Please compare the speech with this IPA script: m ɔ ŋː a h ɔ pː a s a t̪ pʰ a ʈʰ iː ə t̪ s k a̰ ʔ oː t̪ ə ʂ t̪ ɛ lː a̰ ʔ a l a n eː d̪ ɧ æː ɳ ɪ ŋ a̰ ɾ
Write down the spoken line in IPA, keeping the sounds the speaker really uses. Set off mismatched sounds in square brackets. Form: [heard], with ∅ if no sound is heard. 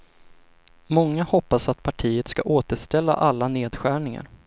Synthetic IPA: m ɔ ŋː a h ɔ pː a s a t̪ pʰ a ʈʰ iː ə t̪ s k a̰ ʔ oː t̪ ə ʂ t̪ ɛ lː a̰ ʔ a [lː] a n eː d̪ ɧ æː ɳ ɪ ŋ a̰ ɾ